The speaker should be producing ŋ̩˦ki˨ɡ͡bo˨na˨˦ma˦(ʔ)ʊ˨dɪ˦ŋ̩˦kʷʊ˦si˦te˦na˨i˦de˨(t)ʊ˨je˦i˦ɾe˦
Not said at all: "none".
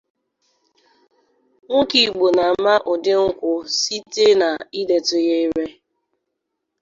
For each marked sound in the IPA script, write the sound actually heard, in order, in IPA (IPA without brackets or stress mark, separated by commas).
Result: ʔ, t